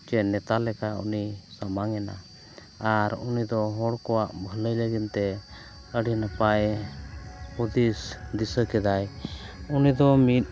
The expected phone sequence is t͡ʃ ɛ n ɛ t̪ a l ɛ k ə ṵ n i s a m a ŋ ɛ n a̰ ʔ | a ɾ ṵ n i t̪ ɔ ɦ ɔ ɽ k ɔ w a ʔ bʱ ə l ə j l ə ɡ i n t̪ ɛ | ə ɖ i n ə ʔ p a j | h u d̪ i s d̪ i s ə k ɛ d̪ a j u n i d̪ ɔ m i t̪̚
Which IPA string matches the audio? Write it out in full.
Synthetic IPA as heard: t͡ʃ ɛ n ɛ t̪ a l ɛ k a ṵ n i s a m a ŋ ɛ n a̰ | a ɾ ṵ n i d̪ ɔ ɦ ɔ ɽ k ɔ w a ʔ bʱ ə l ə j l ə ɡ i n t̪ ɛ | ə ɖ i n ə p a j | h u d̪ i s d̪ i s ə k ɛ d̪ a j u n i d̪ ɔ m i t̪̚